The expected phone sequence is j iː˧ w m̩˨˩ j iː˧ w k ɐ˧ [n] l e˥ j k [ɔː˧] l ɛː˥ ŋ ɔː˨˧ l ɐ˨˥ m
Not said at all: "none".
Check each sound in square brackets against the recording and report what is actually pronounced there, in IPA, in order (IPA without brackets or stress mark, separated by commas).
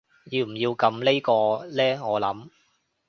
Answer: m, ɔː˧